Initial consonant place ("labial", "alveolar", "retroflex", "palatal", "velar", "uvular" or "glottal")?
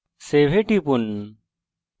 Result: alveolar